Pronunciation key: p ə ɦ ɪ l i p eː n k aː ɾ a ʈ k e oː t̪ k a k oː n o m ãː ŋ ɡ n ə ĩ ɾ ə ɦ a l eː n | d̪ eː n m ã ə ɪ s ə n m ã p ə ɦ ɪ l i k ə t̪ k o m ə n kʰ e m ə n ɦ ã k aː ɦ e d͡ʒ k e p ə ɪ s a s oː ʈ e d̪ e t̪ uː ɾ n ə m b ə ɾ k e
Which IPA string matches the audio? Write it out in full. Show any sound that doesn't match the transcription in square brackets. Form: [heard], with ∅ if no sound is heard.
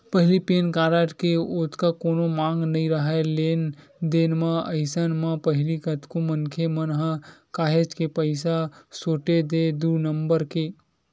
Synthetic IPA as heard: p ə ɦ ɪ l i p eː n k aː ɾ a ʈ k e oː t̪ k a k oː n o m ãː ŋ ɡ n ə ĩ ɾ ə ɦ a l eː n | d̪ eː n m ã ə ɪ s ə n m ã p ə ɦ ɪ l i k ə t̪ k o m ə n kʰ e m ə n ɦ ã k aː ɦ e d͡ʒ k e p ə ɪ s a s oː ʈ e d̪ e [d̪] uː ɾ n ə m b ə ɾ k e